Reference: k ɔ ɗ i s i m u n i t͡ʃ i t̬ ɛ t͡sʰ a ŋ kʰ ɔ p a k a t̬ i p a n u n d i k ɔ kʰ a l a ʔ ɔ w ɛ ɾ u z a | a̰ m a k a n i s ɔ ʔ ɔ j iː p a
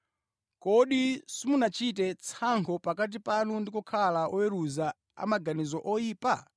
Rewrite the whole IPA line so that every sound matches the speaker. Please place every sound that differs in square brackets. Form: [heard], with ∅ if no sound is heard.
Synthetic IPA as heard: k ɔ ɗ i s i m u n [a] t͡ʃ i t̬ ɛ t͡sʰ a ŋ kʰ ɔ p a k a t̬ i p a n u n d i k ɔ kʰ a l a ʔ ɔ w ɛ ɾ u z a | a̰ m a [ɡ] a n i [z] ɔ ʔ ɔ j iː p a